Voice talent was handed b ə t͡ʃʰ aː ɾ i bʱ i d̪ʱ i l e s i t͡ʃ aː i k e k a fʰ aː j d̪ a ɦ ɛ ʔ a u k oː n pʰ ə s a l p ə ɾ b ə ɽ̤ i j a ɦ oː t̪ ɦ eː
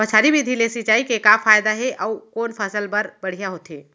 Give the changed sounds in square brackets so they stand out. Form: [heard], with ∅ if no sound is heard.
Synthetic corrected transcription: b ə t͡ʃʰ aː ɾ i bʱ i d̪ʱ i l e s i t͡ʃ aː i k e k a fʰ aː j d̪ a ɦ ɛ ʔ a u k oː n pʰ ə s [ə] l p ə ɾ b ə ɽ̤ i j a ɦ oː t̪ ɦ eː